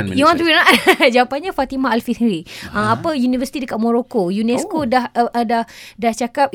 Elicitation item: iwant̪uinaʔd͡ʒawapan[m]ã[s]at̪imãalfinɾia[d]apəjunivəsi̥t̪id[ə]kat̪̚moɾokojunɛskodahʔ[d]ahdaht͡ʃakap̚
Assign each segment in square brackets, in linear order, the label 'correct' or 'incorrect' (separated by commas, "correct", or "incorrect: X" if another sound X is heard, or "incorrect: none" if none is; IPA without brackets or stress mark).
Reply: incorrect: ɲ, incorrect: f, incorrect: none, correct, correct